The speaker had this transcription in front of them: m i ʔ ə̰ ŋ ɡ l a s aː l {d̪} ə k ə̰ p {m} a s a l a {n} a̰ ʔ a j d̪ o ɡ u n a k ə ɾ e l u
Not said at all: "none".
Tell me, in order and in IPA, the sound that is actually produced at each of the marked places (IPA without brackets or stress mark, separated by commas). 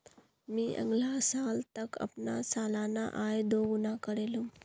t̪, n, n